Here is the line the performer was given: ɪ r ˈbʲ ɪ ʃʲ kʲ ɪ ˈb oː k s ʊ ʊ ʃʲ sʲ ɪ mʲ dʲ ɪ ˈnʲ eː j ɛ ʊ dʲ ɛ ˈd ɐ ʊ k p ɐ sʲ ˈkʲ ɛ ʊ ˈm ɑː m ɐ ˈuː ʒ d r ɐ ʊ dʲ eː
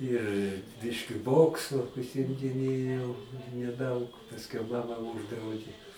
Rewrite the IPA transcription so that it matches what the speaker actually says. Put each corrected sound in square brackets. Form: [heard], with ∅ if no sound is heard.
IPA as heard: ɪ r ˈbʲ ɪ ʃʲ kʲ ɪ ˈb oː k s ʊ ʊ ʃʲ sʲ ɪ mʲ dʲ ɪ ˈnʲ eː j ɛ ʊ [nʲ] ɛ ˈd ɐ ʊ k p ɐ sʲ ˈkʲ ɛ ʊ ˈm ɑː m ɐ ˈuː ʒ d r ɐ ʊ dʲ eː